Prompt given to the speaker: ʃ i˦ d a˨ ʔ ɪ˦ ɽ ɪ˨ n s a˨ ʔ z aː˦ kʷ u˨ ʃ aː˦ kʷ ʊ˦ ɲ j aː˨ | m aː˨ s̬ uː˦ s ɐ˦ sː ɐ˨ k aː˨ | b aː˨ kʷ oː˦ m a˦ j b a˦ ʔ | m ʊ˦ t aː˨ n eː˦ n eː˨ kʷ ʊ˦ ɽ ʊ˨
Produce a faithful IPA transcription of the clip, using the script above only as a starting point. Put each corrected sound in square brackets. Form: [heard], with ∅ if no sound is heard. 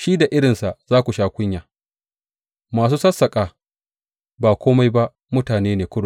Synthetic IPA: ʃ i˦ d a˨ ʔ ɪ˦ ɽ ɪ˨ n s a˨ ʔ z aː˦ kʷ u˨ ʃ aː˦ kʷ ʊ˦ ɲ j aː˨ | m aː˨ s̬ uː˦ s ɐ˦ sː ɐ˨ [kʼ] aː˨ | b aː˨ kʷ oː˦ m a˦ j b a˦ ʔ | m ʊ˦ t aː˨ n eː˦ n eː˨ kʷ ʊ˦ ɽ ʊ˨